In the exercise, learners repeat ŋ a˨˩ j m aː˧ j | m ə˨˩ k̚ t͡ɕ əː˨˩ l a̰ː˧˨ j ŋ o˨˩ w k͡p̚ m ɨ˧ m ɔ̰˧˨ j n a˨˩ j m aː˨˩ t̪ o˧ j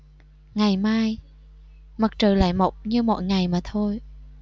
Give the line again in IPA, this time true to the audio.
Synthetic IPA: ŋ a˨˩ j m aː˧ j | m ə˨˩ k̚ t͡ɕ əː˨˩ l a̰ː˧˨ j m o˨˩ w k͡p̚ ɲ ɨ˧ m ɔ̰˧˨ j ŋ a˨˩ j m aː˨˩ t̪ʰ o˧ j